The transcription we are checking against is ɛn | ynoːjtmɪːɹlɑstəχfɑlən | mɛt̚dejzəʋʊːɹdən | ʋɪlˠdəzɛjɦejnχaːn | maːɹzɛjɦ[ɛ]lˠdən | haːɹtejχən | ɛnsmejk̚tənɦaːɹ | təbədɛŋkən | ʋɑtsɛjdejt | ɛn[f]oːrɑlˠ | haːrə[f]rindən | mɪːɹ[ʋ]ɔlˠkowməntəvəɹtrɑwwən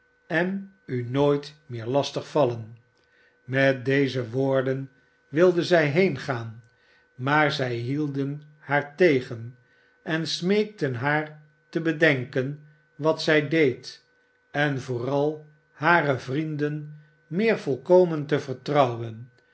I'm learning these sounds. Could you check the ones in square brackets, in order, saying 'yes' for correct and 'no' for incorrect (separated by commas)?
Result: no, no, no, no